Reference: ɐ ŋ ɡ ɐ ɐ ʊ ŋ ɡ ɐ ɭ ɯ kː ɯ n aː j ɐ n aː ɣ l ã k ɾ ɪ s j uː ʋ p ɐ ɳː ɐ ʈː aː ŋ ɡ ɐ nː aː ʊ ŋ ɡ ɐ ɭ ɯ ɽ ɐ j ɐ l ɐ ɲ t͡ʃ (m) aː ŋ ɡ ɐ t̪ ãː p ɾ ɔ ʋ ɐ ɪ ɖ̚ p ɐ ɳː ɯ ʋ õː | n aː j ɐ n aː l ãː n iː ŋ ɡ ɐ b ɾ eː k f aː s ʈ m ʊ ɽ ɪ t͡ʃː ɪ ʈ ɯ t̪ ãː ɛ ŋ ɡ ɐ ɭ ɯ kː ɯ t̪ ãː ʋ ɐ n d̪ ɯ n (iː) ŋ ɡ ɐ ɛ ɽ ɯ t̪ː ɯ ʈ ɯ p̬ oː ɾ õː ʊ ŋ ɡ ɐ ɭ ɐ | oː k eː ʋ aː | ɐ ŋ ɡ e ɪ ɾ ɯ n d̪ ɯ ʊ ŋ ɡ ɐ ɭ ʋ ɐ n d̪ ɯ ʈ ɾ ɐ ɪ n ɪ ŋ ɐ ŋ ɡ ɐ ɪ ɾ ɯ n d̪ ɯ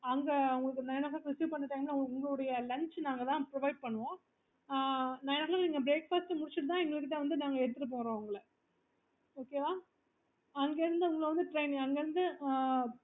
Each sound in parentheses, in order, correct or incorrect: incorrect: n, incorrect: aː

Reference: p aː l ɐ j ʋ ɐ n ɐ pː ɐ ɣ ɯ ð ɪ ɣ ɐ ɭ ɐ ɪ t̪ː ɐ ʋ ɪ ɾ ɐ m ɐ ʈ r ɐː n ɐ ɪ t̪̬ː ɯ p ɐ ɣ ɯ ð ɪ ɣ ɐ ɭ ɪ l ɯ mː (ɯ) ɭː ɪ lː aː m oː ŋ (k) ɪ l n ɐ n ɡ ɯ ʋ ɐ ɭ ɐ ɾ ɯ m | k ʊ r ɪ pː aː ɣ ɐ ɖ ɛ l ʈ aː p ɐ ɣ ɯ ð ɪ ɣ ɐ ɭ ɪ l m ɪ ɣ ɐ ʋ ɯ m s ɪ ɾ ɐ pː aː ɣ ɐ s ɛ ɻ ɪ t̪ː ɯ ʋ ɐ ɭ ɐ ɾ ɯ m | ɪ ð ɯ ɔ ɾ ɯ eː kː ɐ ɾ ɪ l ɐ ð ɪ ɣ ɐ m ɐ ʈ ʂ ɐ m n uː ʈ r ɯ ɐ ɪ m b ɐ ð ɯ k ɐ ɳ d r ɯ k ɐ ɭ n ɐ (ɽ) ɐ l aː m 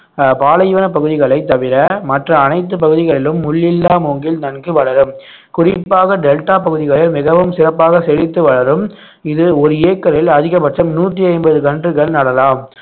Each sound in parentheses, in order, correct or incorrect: incorrect: ʊ, incorrect: ɡ, correct

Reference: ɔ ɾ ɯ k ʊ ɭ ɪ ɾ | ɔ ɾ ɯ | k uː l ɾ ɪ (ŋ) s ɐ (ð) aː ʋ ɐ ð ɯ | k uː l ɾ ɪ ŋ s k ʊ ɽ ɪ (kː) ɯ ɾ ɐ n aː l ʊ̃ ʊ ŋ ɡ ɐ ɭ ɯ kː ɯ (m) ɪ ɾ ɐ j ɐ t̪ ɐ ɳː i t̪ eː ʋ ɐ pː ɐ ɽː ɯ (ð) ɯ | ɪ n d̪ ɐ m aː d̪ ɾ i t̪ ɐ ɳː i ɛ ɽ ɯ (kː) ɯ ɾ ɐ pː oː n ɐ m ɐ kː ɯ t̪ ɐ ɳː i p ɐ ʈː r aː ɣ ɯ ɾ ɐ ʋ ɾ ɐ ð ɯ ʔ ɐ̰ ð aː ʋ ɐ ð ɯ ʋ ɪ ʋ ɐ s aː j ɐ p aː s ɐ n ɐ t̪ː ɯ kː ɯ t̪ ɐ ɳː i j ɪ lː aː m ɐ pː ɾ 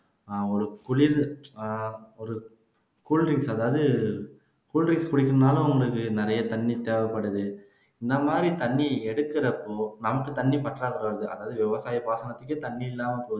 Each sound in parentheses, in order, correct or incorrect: correct, correct, correct, incorrect: n, correct, correct

